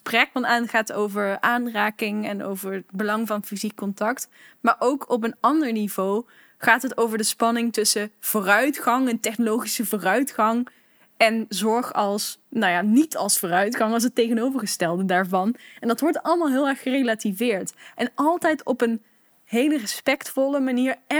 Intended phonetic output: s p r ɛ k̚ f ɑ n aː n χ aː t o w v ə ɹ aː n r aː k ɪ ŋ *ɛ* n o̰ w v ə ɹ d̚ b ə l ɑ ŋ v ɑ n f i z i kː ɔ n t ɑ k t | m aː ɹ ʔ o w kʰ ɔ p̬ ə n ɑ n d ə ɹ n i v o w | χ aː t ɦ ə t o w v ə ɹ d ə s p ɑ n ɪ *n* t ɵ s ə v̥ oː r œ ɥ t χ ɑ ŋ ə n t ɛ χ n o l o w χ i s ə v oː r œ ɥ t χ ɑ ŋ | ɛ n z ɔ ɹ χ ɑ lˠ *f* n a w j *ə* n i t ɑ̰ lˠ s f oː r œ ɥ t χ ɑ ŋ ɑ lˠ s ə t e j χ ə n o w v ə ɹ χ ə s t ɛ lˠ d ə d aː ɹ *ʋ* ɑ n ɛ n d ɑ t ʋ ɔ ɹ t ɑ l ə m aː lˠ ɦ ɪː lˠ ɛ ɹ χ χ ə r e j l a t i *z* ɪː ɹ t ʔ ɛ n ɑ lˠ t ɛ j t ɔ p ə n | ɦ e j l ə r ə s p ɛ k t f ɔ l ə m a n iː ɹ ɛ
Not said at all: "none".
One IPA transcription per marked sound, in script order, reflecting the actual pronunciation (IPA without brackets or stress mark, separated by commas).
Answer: ɛ, ŋ, s, a, v, v